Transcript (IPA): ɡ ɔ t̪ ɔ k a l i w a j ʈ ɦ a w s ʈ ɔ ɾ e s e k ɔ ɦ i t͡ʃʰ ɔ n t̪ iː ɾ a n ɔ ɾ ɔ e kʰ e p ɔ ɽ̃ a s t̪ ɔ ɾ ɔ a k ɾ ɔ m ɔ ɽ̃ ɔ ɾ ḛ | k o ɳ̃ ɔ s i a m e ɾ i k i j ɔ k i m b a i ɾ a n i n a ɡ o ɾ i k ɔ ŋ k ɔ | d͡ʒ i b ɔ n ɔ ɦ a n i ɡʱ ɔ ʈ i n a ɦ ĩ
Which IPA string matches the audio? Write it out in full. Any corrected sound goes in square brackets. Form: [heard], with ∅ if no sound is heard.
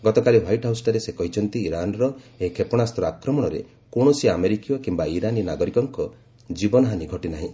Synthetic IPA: ɡ ɔ t̪ ɔ k a l i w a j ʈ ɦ a w s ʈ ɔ ɾ e s e k ɔ ɦ i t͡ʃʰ ɔ n t̪ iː ɾ a n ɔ ɾ ɔ e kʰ e p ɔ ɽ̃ a s t̪ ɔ ɾ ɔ a k ɾ ɔ m ɔ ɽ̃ ɔ ɾ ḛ | k o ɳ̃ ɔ s i a m e ɾ i k i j ɔ k i m b a i ɾ a n i n a ɡ [ɔ] ɾ i k ɔ ŋ k ɔ | d͡ʒ i b ɔ n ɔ ɦ a n i ɡʱ ɔ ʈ i n a ɦ ĩ